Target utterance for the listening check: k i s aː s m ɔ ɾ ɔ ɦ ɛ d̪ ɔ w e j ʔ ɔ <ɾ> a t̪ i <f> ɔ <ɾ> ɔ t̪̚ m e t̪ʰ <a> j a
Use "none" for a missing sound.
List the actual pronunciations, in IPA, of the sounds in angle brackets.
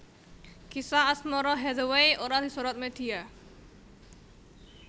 ɾ, s, ɾ, i

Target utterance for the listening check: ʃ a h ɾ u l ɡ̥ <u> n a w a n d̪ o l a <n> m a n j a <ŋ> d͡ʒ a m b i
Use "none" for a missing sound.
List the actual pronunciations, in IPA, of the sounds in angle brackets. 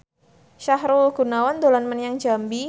u, n, ŋ

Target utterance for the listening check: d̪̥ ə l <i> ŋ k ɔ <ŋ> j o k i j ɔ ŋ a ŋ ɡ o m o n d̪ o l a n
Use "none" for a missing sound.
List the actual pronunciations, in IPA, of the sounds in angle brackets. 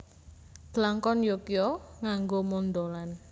a, n

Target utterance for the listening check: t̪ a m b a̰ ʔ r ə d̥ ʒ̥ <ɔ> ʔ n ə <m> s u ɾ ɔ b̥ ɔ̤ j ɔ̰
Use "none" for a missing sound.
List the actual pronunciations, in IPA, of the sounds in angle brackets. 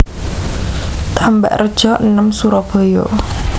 ɔ, m

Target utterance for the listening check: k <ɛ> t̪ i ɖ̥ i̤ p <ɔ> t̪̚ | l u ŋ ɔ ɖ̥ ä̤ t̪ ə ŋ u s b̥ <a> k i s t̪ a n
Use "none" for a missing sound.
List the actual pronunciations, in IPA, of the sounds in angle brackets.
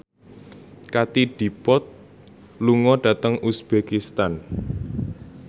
a, ɔ, e

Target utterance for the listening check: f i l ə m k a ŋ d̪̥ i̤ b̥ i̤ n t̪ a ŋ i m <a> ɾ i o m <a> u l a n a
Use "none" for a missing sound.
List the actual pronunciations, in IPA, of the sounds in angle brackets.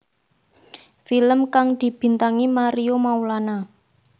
a, a

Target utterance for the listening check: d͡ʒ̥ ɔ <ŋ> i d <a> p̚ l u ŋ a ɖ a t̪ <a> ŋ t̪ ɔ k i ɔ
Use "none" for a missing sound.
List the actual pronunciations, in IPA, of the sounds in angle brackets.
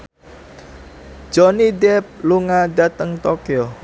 n, ɛ, ə

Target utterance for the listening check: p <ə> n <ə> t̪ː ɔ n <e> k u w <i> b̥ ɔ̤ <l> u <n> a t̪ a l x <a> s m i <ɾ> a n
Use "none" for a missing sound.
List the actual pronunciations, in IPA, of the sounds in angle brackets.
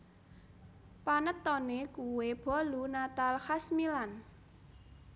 a, ə, e, e, l, n, a, l

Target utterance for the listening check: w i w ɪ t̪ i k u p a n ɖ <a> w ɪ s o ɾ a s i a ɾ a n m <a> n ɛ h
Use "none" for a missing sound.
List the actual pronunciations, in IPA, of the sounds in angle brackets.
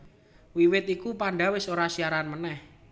a, ə

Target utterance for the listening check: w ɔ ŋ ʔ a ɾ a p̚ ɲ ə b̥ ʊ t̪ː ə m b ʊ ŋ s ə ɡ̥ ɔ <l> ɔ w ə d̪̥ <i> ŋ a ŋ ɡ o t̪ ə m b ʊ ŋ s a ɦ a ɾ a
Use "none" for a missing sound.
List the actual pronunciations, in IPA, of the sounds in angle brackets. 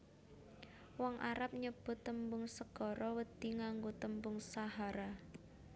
ɾ, i

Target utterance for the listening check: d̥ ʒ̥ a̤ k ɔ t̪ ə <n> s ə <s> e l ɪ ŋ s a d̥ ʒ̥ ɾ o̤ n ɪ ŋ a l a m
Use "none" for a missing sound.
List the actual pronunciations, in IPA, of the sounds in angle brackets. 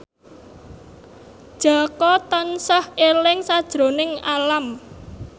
n, h

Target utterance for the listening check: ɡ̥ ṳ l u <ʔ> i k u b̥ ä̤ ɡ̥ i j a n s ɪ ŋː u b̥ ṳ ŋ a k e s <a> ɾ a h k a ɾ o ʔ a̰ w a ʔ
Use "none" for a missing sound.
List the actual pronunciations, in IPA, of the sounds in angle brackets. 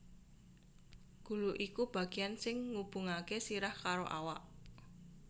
ʔ, i

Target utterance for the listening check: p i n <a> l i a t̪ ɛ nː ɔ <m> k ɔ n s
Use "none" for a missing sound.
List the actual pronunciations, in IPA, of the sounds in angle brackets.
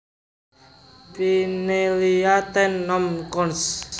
e, m

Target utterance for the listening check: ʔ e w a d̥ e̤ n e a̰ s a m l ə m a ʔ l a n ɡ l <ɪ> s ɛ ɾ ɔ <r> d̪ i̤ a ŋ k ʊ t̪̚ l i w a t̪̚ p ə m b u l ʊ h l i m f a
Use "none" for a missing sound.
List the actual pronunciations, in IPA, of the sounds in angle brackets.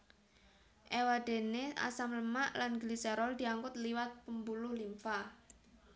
i, l

